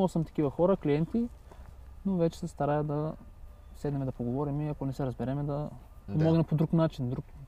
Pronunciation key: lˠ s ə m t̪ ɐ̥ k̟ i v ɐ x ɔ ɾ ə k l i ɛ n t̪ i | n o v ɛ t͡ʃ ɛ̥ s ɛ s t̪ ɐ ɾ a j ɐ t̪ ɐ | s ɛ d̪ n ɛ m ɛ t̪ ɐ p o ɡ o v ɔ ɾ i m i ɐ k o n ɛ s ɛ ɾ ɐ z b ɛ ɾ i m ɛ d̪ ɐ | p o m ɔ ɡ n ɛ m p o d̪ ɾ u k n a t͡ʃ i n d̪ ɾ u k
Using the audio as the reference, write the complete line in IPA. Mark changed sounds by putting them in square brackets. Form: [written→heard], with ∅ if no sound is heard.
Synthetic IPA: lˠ s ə m t̪ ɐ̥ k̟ i v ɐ x ɔ ɾ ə k l i ɛ n t̪ i | n o v ɛ t͡ʃ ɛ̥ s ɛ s t̪ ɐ ɾ a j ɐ [t̪→d̪] ɐ | s ɛ d̪ n ɛ m ɛ [t̪→d̪] ɐ p o ɡ o v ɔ ɾ i m i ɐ k o n ɛ s ɛ ɾ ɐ z b ɛ ɾ [i→ɛ] m ɛ d̪ ɐ | p o m ɔ ɡ n ɛ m p o d̪ ɾ u k n a t͡ʃ i n d̪ ɾ u k